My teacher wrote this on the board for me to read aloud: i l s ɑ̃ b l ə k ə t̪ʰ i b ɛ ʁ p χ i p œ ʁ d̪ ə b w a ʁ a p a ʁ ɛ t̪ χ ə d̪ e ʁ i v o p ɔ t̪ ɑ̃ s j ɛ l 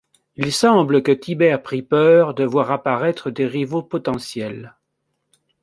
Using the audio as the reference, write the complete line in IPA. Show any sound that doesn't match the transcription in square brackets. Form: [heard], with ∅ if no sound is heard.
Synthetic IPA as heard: i l s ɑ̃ b l ə k ə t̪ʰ i b ɛ ʁ p χ i p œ ʁ d̪ ə [v] w a ʁ a p a ʁ ɛ t̪ χ ə d̪ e ʁ i v o p ɔ t̪ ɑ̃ s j ɛ l